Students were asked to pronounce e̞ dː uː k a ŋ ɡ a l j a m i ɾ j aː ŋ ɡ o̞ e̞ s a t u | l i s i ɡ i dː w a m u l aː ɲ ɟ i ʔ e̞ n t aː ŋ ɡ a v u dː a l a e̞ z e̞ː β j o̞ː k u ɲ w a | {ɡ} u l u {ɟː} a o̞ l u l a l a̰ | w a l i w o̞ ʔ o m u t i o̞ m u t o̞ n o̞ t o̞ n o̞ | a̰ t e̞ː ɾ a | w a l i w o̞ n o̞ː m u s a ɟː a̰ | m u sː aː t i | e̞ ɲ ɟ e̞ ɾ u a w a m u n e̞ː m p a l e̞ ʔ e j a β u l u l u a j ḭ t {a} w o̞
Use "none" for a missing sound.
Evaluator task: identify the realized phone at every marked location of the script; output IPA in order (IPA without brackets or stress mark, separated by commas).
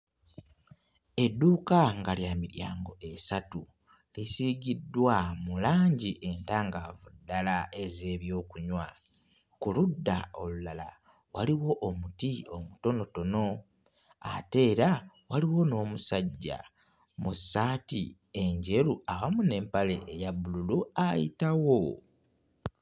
k, dː, a